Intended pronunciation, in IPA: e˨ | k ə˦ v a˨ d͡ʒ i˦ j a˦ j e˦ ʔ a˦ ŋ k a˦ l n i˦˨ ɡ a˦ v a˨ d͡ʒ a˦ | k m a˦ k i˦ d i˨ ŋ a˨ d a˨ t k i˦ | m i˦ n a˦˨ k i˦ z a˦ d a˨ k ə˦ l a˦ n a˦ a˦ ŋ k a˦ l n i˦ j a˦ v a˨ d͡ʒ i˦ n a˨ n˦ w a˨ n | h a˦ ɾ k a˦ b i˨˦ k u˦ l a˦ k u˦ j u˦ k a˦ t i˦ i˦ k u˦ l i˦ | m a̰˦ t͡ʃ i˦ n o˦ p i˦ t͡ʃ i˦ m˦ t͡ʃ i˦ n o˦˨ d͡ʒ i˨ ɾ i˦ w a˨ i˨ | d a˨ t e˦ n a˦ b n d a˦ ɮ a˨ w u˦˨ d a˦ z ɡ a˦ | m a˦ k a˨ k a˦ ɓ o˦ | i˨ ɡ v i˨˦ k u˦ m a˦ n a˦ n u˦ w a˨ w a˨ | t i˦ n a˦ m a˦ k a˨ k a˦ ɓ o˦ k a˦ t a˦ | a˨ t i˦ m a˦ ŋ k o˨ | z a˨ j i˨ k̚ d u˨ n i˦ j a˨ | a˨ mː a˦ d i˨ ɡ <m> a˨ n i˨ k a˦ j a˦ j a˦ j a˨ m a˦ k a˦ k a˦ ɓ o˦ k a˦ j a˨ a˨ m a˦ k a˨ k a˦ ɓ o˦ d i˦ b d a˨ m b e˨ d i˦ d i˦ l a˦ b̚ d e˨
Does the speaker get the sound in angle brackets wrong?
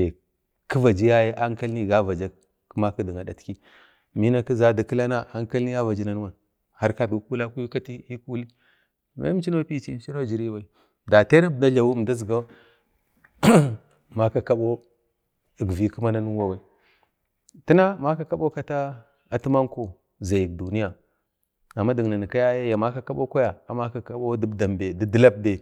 yes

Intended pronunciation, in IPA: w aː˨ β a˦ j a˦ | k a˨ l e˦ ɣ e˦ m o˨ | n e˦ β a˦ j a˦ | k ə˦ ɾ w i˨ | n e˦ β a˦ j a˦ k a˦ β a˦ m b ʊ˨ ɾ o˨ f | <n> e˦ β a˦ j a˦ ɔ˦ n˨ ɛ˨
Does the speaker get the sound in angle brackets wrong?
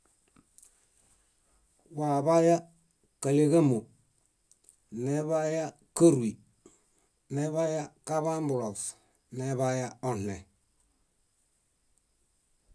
no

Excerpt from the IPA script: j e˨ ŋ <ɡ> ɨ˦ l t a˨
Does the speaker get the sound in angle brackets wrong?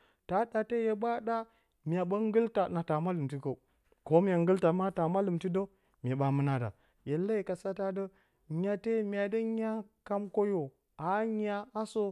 no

